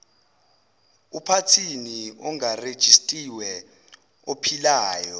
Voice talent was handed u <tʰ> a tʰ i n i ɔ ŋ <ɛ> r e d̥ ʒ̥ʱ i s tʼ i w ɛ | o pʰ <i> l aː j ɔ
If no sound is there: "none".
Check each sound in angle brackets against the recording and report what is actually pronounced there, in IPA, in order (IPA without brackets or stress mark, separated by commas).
pʰ, a, i